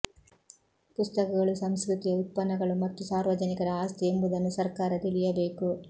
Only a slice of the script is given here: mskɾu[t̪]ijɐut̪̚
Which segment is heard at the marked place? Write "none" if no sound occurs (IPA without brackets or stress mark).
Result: t̪